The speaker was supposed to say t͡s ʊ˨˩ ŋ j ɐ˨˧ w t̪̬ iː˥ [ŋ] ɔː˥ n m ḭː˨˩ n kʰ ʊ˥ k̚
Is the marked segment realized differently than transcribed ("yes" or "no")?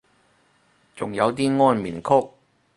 no